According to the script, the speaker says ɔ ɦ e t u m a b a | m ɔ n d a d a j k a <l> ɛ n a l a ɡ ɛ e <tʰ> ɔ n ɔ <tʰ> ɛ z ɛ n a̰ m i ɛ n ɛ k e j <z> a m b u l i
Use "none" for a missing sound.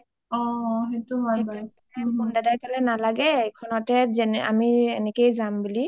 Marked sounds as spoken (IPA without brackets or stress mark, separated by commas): l, kʰ, t, z